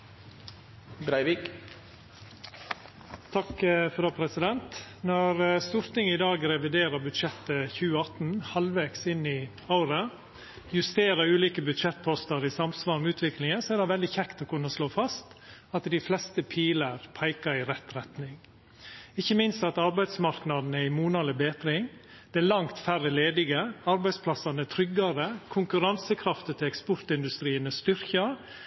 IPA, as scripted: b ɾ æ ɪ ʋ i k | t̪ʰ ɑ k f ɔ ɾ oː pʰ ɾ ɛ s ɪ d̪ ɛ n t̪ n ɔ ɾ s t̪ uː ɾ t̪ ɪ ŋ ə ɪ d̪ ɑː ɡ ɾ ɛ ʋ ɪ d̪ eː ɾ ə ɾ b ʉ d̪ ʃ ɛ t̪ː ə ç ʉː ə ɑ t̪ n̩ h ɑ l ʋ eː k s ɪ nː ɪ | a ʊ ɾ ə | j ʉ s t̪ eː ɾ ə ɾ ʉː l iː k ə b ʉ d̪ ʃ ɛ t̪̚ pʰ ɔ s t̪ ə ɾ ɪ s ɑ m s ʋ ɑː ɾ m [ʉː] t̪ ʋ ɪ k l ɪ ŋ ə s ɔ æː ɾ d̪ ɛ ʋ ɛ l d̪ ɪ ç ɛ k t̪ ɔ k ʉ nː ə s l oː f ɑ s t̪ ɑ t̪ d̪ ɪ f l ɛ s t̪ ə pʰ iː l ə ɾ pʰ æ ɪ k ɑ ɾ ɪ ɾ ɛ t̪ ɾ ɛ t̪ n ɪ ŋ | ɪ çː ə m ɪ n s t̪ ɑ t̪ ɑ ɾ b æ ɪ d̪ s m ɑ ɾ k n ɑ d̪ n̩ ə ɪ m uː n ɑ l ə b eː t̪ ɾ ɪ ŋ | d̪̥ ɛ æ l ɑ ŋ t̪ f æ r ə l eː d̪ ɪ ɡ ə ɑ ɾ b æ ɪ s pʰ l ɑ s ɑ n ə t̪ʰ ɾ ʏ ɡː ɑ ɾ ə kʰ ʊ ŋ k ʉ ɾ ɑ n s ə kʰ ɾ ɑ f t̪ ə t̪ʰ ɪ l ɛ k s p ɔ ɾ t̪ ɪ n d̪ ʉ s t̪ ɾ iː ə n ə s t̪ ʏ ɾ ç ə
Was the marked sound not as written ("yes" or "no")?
no